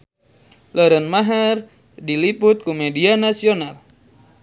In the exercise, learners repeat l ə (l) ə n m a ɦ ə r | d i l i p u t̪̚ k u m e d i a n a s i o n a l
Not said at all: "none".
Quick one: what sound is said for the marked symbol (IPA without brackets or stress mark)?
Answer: ɾ